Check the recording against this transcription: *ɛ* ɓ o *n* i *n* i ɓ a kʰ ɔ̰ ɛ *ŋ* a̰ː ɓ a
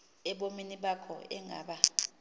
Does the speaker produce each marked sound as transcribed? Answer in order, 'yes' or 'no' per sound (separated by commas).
yes, no, yes, yes